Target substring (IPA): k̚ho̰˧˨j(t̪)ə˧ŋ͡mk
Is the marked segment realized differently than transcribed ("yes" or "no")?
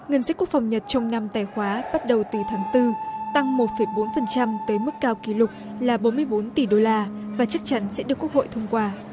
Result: yes